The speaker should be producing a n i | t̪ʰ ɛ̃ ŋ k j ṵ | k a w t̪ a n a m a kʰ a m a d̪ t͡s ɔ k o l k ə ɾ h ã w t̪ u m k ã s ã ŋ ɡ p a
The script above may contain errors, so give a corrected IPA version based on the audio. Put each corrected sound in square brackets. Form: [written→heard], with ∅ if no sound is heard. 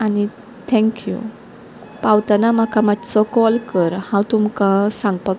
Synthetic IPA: a n i | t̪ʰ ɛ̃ ŋ k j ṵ | [k→p] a w t̪ a n a m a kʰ a m a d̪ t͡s ɔ k [o→ɔ] l k ə ɾ h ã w t̪ u m k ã s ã ŋ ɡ p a